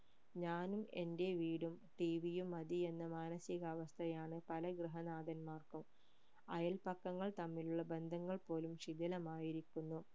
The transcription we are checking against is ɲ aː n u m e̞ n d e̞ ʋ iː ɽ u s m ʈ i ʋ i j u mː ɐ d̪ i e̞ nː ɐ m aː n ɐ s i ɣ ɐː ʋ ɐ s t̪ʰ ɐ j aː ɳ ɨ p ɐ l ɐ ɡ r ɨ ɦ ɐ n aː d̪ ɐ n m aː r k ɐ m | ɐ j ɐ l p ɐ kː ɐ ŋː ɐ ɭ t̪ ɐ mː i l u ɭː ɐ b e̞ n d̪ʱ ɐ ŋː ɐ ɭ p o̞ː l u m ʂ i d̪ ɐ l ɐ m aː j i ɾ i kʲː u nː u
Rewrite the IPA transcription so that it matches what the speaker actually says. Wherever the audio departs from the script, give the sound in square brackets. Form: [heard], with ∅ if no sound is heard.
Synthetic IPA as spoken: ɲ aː n u m e̞ n d e̞ ʋ iː ɽ u [∅] m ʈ i ʋ i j u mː ɐ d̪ i e̞ nː ɐ m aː n ɐ s i ɣ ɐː ʋ ɐ s t̪ʰ ɐ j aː ɳ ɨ p ɐ l ɐ ɡ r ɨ ɦ ɐ n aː d̪ ɐ n m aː r k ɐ m | ɐ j ɐ l p ɐ kː ɐ ŋː ɐ ɭ t̪ ɐ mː i l u ɭː ɐ b e̞ n d̪ʱ ɐ ŋː ɐ ɭ p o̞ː l u m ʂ i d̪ ɐ l ɐ m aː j i ɾ i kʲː u nː u